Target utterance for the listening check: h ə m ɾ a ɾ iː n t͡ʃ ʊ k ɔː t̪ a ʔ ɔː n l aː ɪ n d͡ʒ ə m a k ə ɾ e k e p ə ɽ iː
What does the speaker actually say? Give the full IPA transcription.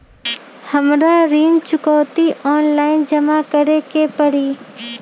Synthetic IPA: h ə m ɾ a ɾ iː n t͡ʃ ʊ k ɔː t̪ i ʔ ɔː n l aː ɪ n d͡ʒ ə m a k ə ɾ e k e p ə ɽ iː